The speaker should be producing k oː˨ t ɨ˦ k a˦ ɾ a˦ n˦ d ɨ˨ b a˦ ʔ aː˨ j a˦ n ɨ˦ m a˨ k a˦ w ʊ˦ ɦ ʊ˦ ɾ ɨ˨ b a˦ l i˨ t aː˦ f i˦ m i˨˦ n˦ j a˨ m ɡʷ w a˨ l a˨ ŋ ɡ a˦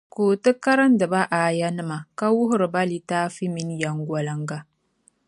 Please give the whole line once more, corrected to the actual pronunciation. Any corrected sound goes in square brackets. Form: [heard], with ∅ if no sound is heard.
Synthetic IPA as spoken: k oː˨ t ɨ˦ k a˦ ɾ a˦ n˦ d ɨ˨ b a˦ ʔ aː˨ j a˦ n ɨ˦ m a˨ k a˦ w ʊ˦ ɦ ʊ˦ ɾ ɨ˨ b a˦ l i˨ t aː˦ f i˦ m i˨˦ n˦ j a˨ [ŋ] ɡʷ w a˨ l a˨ ŋ ɡ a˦